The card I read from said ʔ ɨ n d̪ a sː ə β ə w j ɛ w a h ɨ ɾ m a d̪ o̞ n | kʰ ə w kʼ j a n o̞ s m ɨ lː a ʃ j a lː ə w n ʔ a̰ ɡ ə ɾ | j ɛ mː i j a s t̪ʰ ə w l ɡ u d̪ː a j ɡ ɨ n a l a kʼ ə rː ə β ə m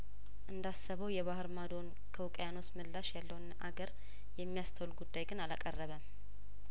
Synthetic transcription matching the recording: ʔ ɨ n d̪ a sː ə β ə w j ɛ β a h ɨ ɾ m a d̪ o̞ n | kʰ ə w kʼ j a n o̞ s m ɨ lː a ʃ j a lː ə w n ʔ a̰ ɡ ə ɾ | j ɛ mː i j a s t̪ʰ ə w l ɡ u d̪ː a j ɡ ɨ n a l a kʼ ə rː ə β ə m